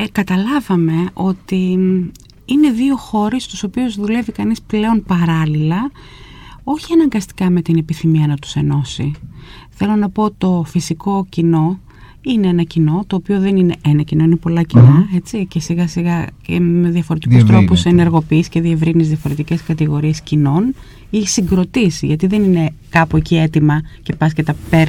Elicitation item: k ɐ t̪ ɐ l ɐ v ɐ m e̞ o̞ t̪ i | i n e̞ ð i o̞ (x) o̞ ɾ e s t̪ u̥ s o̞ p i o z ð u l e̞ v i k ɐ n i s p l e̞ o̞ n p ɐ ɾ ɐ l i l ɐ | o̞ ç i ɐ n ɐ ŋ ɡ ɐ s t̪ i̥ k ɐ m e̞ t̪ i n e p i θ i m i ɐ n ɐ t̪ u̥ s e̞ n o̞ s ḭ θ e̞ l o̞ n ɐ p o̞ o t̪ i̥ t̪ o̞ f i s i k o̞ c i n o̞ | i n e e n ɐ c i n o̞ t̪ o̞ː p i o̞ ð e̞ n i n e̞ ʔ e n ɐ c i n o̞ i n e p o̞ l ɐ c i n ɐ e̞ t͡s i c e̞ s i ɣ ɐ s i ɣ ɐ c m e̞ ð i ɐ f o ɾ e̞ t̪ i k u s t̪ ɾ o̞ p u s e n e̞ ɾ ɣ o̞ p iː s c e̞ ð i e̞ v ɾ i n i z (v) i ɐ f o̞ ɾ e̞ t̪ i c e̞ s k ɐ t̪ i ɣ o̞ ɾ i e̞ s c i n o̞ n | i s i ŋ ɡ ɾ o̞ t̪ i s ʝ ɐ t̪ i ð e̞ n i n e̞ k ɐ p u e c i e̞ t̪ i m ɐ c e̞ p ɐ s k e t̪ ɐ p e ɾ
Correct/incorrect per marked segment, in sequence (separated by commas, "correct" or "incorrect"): correct, incorrect